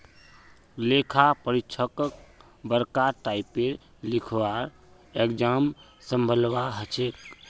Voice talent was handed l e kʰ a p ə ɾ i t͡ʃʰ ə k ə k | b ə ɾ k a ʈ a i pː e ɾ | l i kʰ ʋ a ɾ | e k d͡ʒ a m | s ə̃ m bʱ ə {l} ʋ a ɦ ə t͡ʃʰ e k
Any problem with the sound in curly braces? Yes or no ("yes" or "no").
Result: no